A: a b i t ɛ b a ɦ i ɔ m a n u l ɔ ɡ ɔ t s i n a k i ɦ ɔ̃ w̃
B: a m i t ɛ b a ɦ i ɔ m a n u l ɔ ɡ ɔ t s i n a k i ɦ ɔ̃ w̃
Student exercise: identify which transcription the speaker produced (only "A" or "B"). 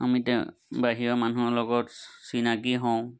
B